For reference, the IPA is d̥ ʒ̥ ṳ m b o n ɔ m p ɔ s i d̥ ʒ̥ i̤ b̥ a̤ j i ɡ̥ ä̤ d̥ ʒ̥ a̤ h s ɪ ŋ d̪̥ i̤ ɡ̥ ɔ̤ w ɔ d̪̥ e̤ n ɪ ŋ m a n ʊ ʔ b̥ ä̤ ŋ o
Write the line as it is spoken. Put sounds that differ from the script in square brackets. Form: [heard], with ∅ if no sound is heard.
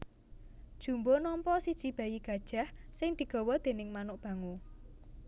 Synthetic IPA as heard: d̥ ʒ̥ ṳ m b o n ɔ m p ɔ s i d̥ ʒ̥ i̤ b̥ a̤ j i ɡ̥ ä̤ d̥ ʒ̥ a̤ h s ɪ ŋ d̪̥ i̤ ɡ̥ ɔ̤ w ɔ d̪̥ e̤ n ɪ ŋ m a n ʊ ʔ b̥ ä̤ ŋ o